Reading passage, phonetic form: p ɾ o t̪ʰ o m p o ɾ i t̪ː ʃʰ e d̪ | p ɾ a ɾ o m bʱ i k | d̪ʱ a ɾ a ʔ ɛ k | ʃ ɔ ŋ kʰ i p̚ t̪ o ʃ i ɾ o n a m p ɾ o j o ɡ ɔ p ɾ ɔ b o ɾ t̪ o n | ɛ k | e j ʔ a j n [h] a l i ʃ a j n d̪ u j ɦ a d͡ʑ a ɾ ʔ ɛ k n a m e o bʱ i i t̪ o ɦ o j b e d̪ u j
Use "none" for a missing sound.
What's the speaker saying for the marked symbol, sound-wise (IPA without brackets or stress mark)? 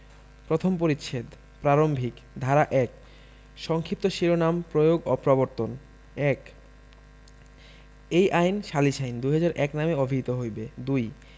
ʃ